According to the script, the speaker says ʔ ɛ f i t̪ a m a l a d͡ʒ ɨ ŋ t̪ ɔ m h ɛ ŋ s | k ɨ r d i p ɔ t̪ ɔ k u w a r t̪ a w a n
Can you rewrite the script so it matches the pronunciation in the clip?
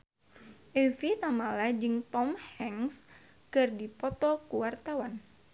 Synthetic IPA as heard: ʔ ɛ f i t̪ a m a l a d͡ʒ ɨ ŋ t̪ ɔ m h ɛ ŋ s | k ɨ r d i p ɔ t̪ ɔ k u w a r t̪ a w a n